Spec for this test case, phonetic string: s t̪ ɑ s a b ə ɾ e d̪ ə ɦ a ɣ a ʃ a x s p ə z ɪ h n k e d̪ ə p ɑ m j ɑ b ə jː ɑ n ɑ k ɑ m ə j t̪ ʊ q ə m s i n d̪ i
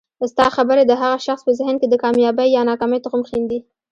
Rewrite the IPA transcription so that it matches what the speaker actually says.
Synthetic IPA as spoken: s t̪ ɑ x a b ə ɾ e d̪ ə ɦ a ɣ a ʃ a x s p ə z ɪ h n k e d̪ ə k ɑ m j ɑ b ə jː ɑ n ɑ k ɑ m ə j t̪ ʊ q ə m x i n d̪ i